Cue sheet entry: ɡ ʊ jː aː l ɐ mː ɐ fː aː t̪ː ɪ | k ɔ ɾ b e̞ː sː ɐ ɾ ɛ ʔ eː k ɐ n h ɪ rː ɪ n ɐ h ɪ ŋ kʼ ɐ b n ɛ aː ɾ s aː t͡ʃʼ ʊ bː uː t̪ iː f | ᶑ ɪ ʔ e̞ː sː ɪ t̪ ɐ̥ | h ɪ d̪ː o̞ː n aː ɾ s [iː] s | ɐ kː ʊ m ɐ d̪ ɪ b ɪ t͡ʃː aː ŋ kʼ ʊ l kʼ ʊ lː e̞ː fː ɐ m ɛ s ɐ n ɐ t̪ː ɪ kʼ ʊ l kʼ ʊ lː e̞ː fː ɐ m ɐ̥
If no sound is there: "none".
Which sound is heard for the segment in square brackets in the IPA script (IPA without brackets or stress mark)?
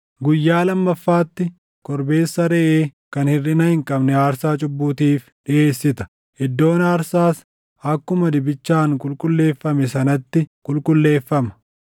aː